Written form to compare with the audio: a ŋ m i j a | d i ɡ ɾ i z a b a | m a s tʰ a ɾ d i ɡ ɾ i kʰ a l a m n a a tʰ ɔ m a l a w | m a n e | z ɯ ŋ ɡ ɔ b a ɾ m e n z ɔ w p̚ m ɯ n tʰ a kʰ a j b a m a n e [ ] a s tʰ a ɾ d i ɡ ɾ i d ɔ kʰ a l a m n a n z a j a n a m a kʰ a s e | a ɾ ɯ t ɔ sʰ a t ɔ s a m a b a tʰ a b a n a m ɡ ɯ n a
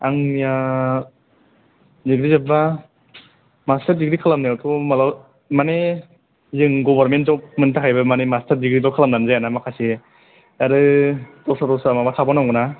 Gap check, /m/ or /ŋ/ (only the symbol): m